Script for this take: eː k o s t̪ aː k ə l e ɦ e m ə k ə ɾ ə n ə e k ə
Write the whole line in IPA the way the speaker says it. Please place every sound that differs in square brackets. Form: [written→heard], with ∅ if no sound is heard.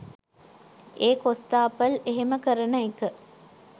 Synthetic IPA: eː k o s t̪ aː [k→p] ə l e ɦ e m ə k ə ɾ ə n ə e k ə